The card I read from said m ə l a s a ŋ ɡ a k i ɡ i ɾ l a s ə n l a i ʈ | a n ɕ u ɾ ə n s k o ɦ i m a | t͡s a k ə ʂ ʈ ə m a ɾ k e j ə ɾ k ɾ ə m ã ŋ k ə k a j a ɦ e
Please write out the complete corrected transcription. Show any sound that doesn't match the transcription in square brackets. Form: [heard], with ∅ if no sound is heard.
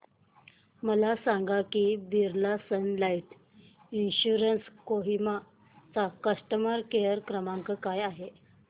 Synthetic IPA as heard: m ə l a s a ŋ ɡ a k i [b] i ɾ l a s ə n l a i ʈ | [i] n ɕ u ɾ ə n s k o ɦ i m a | t͡s a k ə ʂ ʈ ə m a ɾ k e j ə ɾ k ɾ ə m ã ŋ k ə k a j a ɦ e